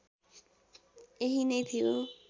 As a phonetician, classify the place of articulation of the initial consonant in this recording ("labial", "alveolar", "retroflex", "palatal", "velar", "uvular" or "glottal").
glottal